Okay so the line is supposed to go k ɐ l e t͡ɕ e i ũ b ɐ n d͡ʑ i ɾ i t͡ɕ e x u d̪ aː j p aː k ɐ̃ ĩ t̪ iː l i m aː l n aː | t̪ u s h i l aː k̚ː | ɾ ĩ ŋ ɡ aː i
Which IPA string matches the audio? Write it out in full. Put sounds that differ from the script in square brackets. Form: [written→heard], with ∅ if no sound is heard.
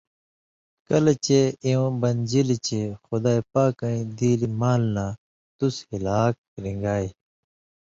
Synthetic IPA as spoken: k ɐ l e t͡ɕ e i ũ b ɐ n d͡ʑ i [ɾ→l] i t͡ɕ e x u d̪ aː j p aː k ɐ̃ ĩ [t̪→d̪] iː l i m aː l n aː | t̪ u s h i l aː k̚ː | ɾ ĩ ŋ ɡ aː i